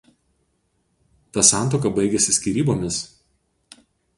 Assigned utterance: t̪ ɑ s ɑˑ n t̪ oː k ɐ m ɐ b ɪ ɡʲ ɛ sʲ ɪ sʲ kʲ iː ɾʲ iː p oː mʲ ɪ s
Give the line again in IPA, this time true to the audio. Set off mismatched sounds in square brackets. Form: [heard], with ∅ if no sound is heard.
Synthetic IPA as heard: t̪ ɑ s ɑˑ n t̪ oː k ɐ [b] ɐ [∅] ɪ ɡʲ ɛ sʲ ɪ sʲ kʲ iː ɾʲ iː [b] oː mʲ ɪ s